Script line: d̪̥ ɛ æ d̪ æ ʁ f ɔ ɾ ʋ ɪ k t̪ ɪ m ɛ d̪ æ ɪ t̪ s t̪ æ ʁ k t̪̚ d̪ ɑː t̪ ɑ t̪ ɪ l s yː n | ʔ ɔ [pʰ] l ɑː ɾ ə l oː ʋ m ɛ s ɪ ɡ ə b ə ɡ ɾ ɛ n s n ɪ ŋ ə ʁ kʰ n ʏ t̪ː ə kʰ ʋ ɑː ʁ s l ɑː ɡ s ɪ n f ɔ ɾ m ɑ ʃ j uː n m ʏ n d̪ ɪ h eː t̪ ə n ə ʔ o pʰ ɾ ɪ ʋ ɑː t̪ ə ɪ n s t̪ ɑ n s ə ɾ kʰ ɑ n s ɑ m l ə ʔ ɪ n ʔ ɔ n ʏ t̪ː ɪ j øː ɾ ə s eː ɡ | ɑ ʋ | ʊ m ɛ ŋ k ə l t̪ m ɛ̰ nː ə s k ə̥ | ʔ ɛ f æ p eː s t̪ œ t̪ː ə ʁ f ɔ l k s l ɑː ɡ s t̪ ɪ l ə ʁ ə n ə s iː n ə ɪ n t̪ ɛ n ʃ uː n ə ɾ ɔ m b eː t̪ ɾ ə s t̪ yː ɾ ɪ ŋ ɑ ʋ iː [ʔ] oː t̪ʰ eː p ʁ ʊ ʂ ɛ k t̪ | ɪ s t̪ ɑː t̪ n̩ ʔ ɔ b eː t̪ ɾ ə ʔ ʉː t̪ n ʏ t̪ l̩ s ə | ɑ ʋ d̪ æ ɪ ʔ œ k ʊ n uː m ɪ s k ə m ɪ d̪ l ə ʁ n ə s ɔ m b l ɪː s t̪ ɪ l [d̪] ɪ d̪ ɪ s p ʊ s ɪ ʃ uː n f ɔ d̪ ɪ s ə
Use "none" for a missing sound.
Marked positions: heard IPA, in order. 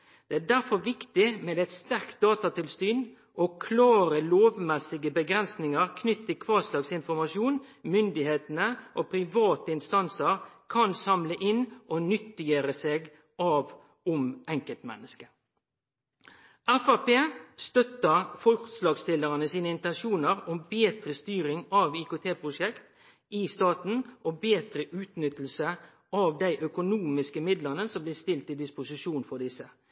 kʰ, k, t̪

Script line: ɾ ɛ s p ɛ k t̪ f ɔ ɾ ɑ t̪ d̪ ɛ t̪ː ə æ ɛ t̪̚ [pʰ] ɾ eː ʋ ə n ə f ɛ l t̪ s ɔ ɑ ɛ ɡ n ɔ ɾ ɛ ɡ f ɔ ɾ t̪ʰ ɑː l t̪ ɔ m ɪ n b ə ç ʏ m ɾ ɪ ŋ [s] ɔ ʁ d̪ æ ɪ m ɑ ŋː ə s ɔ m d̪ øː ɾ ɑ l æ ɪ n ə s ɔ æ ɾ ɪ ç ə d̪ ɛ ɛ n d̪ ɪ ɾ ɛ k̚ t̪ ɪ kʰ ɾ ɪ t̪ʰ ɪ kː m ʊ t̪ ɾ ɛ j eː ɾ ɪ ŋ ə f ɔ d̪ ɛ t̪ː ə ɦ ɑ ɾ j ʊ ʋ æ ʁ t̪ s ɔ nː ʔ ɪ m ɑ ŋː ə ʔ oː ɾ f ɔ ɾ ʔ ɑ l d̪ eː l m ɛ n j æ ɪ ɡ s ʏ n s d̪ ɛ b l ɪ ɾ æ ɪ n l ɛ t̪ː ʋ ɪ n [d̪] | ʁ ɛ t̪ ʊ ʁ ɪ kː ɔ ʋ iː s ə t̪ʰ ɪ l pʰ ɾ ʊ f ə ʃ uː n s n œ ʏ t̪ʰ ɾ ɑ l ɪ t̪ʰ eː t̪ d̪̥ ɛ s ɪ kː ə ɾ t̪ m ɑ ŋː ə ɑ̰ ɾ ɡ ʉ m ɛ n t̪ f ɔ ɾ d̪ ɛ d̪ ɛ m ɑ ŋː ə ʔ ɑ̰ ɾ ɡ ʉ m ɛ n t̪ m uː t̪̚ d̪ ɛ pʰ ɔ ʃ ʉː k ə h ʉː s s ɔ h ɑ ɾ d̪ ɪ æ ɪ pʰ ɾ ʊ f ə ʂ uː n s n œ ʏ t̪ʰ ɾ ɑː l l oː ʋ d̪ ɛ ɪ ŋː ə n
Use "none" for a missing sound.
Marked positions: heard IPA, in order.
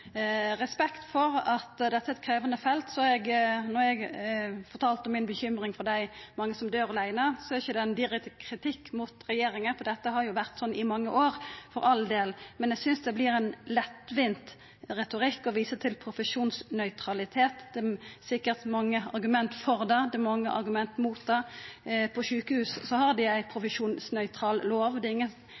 kʰ, f, t̪

